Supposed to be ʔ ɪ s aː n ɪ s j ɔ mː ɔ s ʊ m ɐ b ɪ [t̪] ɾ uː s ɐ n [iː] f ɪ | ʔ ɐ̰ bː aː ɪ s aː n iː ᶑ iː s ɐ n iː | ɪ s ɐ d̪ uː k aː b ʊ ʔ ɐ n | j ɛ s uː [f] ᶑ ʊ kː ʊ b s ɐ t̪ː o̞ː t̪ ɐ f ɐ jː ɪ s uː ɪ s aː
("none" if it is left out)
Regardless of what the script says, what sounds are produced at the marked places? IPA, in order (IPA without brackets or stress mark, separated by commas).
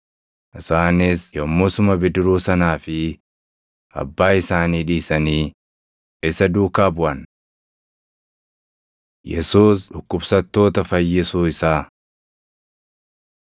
d̪, aː, s